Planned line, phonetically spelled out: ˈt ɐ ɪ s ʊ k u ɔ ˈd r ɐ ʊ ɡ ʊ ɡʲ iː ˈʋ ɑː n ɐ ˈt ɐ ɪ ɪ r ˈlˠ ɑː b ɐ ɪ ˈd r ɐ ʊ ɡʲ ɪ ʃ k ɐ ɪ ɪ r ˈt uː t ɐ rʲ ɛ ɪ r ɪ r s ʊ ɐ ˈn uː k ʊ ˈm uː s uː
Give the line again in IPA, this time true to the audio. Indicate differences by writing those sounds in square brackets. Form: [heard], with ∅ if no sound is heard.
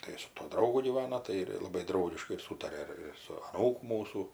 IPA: ˈt ɐ ɪ s ʊ [t] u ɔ ˈd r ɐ ʊ ɡ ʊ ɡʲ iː ˈʋ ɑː n ɐ ˈt ɐ ɪ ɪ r ˈlˠ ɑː b ɐ ɪ ˈd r ɐ ʊ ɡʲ ɪ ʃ k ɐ ɪ ɪ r [ˈs] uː t ɐ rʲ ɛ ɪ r ɪ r s ʊ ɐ ˈn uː k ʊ ˈm uː s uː